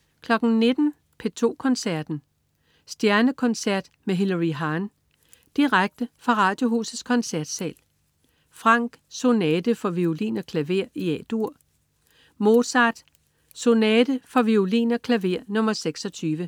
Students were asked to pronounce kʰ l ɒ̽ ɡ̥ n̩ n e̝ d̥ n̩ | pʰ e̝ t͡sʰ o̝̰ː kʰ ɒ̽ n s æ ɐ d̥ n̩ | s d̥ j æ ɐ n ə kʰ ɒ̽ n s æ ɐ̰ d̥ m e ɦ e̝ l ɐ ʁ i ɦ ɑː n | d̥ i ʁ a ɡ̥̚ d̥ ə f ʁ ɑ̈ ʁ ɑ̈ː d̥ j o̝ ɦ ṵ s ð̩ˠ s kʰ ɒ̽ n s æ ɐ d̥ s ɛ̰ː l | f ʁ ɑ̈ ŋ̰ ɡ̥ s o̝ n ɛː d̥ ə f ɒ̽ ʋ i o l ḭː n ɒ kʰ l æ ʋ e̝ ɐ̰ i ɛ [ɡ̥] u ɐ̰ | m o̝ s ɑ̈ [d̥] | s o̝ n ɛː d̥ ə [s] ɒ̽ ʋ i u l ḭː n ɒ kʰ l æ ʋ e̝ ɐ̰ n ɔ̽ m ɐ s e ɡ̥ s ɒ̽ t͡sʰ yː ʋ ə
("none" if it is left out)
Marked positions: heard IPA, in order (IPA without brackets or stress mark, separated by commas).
d̥, d̥, f